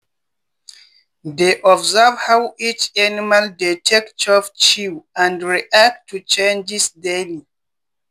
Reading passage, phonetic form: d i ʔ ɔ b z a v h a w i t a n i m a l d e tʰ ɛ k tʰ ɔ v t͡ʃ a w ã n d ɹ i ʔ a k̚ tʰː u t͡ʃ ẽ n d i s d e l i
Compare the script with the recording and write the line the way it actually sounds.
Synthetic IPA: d e ʔ ɔ b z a v h a w i t͡ʃ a n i m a l d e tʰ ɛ k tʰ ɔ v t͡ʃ i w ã n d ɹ i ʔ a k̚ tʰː u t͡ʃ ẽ n d͡ʒ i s d e l i